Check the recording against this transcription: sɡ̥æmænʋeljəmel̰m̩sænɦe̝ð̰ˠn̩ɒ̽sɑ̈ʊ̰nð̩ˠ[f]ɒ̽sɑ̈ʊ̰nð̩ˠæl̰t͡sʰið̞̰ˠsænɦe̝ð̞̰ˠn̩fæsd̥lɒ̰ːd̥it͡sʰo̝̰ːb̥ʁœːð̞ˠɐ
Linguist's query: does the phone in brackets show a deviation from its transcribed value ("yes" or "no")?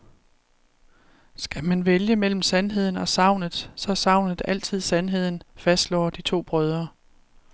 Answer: yes